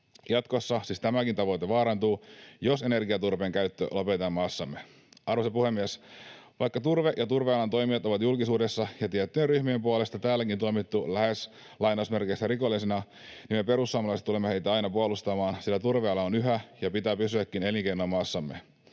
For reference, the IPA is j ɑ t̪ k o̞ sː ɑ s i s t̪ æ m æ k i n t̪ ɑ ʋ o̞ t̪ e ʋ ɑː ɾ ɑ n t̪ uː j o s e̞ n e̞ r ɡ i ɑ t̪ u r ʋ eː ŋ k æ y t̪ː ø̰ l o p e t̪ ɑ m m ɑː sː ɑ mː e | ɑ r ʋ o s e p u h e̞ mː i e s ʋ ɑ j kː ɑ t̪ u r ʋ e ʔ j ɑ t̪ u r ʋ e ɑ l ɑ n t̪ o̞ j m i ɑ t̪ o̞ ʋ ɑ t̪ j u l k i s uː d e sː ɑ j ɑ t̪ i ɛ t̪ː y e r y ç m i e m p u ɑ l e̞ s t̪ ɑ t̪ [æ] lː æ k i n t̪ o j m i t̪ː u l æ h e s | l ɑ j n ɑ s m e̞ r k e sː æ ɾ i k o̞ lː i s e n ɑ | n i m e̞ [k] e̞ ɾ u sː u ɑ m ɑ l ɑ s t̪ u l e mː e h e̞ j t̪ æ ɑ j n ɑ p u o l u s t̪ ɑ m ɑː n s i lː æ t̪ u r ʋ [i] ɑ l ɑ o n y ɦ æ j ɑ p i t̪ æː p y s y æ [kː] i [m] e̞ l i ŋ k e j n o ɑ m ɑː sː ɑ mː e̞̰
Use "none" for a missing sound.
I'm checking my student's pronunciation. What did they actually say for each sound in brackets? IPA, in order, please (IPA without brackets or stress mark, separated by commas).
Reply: æː, p, e, kː, n